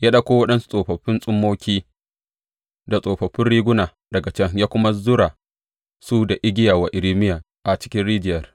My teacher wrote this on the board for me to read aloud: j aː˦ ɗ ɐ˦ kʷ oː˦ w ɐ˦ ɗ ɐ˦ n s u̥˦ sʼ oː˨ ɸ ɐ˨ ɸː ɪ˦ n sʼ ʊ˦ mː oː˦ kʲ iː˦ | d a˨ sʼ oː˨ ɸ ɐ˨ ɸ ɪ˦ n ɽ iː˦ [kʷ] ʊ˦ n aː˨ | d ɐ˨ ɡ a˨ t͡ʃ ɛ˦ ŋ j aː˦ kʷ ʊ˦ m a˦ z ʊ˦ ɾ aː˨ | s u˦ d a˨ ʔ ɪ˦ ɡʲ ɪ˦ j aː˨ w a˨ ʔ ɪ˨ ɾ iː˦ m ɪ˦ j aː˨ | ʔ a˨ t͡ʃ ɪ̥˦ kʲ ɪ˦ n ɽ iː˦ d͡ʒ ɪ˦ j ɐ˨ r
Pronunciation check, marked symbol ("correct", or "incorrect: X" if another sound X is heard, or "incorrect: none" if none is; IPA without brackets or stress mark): incorrect: ɡʷ